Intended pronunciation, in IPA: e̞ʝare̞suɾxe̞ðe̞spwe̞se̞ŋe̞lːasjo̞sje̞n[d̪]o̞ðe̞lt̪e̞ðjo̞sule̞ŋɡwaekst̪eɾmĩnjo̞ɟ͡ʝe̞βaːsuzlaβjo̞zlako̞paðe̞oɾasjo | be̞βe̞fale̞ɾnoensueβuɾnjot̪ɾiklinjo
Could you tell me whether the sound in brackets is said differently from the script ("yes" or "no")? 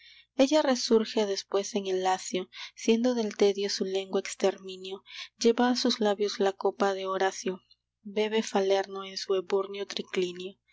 no